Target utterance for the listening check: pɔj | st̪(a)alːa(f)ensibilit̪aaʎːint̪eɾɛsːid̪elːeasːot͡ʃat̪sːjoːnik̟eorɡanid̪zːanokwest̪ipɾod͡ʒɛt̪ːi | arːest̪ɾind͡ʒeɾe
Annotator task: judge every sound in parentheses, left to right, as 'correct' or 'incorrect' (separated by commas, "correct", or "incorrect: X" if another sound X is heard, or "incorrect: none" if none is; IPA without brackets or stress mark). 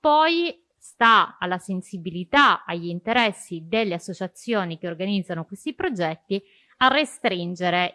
correct, incorrect: s